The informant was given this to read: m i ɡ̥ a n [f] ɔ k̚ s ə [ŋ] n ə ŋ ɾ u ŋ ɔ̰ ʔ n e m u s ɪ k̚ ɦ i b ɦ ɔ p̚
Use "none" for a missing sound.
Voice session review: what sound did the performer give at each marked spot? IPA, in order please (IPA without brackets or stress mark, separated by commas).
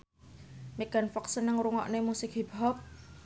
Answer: f, none